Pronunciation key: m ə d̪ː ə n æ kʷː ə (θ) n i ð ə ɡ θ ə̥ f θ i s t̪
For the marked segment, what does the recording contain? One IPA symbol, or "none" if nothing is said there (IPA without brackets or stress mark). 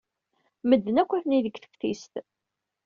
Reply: θ